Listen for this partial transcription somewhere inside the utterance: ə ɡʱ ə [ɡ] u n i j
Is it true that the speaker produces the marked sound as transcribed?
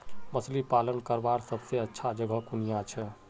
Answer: no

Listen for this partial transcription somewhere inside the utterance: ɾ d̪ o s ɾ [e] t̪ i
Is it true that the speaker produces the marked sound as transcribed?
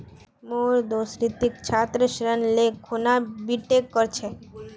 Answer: no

